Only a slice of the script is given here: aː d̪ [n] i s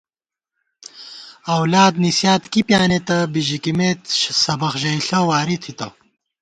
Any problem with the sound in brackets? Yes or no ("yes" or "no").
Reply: no